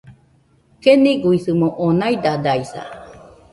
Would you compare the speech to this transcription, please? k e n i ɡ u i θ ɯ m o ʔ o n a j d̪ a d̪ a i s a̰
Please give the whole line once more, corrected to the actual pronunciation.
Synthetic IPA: k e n i ɡ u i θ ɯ m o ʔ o n a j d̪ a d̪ a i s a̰